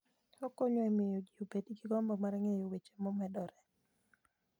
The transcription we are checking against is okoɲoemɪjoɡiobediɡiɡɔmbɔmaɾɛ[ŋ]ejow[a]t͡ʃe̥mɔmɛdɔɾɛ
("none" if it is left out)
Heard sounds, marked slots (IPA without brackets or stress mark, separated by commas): ŋ, e